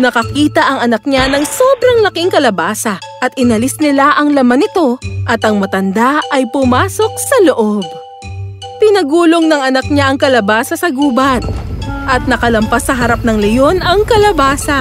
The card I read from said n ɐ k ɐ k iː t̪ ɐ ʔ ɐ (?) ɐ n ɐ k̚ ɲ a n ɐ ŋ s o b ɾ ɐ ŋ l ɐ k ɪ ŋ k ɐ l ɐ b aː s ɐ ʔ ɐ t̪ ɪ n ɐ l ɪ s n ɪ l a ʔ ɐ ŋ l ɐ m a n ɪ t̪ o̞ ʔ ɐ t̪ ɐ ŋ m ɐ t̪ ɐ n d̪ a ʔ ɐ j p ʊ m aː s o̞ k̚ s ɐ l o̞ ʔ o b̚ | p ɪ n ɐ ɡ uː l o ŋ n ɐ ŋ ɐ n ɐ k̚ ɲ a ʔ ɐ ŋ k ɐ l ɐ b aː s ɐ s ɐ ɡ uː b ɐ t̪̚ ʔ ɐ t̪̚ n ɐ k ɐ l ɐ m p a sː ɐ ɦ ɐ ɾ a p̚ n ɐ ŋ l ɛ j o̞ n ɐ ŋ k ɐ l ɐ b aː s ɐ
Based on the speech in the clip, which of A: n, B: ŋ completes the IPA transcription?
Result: B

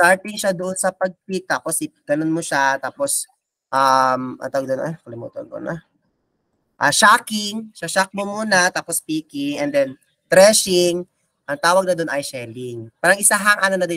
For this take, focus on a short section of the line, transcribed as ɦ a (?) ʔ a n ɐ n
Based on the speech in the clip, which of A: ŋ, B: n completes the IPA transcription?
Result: A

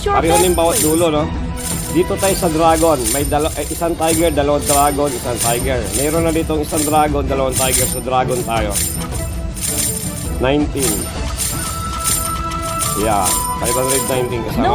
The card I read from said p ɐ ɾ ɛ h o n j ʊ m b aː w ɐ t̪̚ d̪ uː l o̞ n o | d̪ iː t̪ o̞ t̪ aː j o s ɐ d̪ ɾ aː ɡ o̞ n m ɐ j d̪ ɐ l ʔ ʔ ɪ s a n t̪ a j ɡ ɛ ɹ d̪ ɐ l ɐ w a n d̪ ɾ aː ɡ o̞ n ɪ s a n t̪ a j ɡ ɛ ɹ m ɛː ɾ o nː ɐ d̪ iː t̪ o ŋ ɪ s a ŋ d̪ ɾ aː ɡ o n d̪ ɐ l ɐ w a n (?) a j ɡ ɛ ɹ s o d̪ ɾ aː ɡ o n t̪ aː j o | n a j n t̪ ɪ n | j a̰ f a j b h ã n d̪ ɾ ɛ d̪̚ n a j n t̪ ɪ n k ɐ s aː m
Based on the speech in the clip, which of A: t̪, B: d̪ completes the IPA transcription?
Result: A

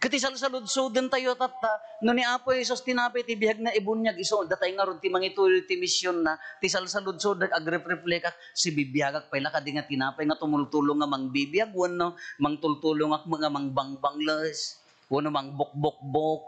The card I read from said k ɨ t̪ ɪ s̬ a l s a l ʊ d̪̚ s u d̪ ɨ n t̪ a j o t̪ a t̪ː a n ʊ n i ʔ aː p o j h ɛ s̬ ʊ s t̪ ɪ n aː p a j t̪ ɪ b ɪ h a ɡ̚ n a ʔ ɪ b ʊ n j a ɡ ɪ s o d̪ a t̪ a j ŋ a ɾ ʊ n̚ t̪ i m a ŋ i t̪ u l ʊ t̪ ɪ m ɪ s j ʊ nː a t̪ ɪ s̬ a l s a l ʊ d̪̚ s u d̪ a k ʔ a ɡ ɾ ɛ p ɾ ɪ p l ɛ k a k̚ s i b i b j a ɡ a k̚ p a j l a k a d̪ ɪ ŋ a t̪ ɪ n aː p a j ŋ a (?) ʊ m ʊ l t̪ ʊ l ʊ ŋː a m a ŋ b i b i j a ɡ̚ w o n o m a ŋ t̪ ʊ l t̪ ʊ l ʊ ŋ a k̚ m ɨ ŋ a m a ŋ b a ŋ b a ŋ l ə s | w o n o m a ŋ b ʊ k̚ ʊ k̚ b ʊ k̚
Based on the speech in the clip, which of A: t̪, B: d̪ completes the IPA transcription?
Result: A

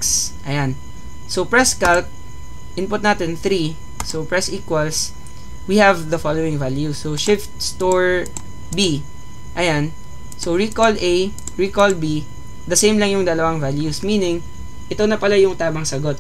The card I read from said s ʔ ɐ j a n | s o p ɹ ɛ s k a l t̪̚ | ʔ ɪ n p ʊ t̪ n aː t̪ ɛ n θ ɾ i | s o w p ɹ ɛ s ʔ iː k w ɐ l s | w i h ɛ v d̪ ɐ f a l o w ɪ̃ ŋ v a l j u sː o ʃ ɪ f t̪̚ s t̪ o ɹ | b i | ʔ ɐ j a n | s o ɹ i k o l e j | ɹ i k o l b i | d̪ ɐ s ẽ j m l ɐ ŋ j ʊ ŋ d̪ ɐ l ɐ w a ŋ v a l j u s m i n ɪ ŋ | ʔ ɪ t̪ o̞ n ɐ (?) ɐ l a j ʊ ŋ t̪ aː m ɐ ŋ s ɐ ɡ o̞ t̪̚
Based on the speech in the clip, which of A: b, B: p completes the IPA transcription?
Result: B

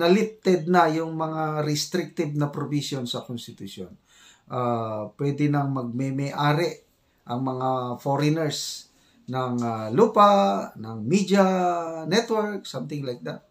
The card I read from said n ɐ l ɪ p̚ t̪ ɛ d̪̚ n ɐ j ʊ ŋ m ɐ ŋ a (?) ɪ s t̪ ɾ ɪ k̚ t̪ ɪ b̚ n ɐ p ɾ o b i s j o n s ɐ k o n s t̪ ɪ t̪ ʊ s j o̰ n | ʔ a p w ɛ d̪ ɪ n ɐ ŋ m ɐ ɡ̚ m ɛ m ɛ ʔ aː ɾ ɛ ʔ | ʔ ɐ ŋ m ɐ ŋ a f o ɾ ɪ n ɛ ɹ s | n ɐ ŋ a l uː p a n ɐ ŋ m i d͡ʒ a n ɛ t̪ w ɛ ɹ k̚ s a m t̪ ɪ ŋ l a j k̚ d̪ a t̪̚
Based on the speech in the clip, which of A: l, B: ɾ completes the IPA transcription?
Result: B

